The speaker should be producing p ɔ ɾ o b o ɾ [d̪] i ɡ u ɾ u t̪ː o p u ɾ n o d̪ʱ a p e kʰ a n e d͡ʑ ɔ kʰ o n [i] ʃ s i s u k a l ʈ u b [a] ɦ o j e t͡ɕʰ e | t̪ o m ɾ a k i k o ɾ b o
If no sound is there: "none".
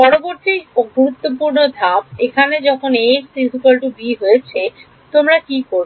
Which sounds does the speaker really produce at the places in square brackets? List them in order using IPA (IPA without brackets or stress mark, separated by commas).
t̪, e, i